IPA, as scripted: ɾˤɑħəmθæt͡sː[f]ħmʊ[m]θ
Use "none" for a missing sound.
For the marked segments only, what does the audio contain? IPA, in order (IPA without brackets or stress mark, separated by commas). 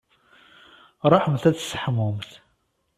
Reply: s, m